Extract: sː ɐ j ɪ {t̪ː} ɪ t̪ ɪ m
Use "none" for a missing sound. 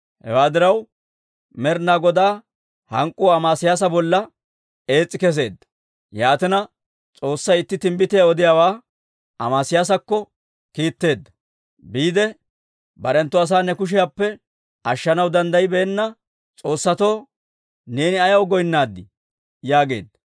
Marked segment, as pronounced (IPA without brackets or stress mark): t̪ː